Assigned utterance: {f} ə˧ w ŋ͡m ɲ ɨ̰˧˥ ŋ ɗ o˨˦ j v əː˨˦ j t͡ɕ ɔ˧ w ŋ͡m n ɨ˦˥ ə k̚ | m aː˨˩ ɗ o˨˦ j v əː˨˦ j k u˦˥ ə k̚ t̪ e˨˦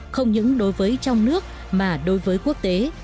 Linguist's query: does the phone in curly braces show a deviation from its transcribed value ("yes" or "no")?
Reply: yes